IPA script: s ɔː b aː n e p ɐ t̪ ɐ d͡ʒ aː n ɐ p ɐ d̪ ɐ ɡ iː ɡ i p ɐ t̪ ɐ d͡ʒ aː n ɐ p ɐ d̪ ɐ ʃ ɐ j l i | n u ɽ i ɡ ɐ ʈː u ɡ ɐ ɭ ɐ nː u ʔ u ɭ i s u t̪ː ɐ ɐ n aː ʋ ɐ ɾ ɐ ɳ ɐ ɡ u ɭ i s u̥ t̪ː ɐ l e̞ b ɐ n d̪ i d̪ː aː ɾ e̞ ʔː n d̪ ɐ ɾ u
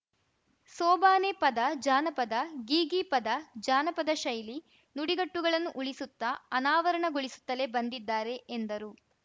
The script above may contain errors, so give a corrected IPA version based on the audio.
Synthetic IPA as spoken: s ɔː b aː n e p ɐ d̪ ɐ d͡ʒ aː n ɐ p ɐ d̪ ɐ ɡ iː ɡ i p ɐ d̪ ɐ d͡ʒ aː n ɐ p ɐ d̪ ɐ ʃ ɐ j l i | n u ɽ i ɡ ɐ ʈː u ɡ ɐ ɭ ɐ nː u ʔ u ɭ i s u t̪ː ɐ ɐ n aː ʋ ɐ ɾ ɐ ɳ ɐ ɡ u ɭ i s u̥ t̪ː ɐ l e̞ b ɐ n d̪ i d̪ː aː ɾ e̞ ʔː n d̪ ɐ ɾ u